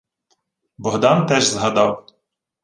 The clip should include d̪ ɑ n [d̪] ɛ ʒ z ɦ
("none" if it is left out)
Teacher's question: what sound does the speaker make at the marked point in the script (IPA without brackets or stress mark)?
t̪